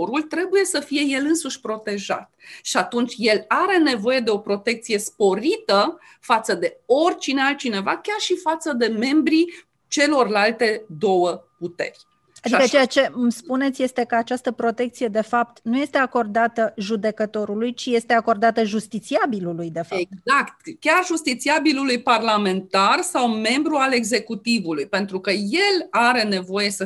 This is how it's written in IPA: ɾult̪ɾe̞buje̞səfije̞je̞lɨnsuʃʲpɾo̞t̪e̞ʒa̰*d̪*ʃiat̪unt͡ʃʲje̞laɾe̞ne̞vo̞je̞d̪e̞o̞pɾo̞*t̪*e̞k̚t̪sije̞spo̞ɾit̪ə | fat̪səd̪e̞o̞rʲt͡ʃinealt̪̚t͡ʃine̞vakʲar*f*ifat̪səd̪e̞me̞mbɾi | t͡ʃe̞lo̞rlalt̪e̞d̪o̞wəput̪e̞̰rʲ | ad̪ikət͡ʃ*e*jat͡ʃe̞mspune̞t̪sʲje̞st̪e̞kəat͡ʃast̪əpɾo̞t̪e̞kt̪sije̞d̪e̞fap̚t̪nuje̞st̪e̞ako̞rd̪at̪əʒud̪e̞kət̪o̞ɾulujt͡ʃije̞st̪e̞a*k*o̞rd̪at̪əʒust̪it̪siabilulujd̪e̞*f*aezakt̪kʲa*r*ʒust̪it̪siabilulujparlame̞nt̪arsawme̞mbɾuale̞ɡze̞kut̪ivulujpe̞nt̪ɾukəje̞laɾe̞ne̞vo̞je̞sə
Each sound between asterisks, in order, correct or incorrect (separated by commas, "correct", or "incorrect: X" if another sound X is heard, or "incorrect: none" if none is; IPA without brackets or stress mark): incorrect: t̪, correct, incorrect: ʃ, correct, correct, correct, correct